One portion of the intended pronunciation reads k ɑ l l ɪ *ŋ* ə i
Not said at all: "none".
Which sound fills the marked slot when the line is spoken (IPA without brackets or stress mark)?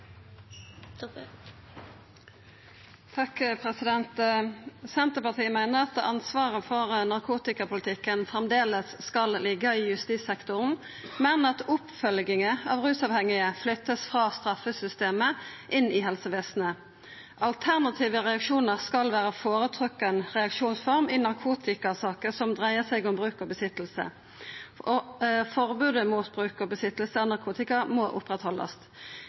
ɡ